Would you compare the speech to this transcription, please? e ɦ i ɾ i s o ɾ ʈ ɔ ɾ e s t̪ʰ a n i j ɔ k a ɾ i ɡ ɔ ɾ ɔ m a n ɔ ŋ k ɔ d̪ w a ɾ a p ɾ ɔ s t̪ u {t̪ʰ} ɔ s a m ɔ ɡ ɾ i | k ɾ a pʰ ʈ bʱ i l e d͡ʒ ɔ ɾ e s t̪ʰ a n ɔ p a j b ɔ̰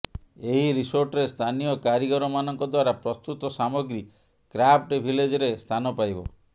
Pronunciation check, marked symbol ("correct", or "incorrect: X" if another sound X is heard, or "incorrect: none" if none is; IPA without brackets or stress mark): incorrect: t̪